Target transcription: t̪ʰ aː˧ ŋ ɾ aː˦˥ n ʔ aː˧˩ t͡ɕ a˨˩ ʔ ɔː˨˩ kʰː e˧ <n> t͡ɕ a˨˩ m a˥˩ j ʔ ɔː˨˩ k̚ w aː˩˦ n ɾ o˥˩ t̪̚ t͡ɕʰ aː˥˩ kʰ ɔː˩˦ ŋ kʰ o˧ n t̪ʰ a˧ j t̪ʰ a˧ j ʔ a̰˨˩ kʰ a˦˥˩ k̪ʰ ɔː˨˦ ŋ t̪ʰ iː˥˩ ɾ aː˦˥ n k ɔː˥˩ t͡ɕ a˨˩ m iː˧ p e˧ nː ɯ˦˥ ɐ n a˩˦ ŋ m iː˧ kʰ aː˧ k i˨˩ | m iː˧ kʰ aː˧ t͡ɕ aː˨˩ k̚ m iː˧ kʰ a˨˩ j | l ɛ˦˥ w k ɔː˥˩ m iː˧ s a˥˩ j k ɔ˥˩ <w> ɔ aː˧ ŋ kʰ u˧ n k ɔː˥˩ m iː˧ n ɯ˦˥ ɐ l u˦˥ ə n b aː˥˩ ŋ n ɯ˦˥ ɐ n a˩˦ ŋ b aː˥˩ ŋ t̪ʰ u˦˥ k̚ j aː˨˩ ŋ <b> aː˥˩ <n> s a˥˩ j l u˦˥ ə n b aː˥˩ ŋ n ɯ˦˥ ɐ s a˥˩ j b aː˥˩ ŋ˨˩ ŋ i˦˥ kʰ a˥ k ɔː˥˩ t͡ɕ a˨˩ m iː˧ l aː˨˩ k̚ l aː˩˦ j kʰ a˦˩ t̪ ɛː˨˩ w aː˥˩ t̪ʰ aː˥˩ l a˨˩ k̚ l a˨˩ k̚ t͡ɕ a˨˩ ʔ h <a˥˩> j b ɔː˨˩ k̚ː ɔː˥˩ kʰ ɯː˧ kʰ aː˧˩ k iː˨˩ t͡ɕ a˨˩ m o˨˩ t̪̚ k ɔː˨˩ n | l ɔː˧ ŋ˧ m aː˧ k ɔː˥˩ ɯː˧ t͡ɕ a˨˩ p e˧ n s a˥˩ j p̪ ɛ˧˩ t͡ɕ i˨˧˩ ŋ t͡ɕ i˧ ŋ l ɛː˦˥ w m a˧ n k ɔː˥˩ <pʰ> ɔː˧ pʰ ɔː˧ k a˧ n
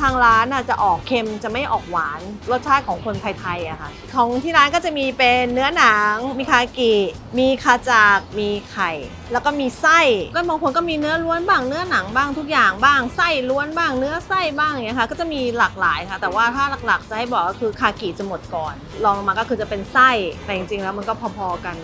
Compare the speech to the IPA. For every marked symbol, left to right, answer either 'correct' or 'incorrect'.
incorrect: m, incorrect: b, correct, incorrect: ŋ, correct, correct

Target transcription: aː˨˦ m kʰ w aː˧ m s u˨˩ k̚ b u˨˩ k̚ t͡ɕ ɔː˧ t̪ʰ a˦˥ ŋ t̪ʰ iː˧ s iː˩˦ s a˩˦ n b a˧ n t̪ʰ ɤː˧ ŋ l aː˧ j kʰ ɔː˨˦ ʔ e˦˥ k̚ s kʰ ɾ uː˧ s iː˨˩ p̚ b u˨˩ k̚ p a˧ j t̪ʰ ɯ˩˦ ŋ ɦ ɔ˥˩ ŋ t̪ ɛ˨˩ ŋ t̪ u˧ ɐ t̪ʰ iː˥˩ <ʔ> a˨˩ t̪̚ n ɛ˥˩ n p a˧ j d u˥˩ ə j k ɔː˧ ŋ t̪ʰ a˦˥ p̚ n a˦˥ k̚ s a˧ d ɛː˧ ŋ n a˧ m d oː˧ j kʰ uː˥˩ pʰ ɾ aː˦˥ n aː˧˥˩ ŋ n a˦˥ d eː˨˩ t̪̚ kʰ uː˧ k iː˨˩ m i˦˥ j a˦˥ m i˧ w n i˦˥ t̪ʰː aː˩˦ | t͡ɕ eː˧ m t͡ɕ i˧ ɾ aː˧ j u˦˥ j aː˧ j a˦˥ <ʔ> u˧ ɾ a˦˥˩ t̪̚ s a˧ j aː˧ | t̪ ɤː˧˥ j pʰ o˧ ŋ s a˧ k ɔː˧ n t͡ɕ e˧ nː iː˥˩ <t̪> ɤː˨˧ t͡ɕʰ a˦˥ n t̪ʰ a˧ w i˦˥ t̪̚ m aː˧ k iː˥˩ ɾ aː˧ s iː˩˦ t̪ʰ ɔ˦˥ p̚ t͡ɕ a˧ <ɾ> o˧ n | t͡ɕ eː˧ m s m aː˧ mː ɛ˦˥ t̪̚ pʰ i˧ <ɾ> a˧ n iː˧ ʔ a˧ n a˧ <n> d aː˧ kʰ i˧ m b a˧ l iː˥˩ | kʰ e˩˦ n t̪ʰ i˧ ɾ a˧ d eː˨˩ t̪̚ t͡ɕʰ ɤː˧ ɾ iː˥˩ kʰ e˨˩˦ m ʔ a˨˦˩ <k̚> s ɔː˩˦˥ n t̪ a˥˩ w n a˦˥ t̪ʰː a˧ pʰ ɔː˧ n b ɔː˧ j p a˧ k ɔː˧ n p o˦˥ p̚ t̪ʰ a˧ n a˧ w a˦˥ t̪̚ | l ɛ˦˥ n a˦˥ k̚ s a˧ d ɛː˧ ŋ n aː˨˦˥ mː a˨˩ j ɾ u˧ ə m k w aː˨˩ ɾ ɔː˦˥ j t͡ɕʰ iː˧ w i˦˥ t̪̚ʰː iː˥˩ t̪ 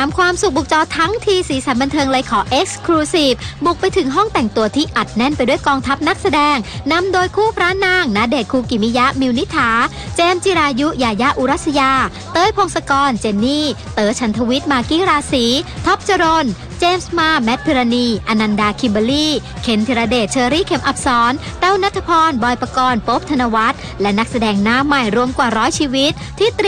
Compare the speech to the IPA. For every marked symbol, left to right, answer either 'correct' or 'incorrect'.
correct, correct, correct, correct, correct, correct, incorrect: p̚

